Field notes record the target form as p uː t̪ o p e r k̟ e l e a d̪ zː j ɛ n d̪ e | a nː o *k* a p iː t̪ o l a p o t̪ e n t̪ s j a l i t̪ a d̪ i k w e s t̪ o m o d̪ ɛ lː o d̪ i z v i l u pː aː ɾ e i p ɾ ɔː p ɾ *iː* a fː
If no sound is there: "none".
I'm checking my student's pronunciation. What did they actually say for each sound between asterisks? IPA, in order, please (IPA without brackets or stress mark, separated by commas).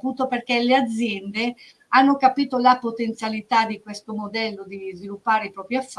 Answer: k, i